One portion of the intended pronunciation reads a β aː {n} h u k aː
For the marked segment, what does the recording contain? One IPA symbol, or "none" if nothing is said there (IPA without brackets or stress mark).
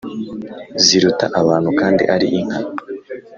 n